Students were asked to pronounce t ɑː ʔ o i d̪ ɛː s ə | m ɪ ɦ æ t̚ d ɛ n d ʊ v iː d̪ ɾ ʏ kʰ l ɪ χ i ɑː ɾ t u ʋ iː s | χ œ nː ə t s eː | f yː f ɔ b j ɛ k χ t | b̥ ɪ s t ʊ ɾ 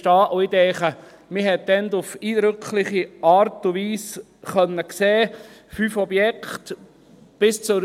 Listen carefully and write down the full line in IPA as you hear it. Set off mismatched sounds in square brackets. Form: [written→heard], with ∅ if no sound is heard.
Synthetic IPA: t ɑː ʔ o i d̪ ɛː [s→χ] ə | m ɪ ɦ [æ→ɛ] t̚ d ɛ n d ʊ [v→f] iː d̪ ɾ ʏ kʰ l ɪ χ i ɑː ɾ t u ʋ iː s | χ œ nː ə [t→k] s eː | f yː f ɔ b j ɛ k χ t | b̥ ɪ s [t→t͡s] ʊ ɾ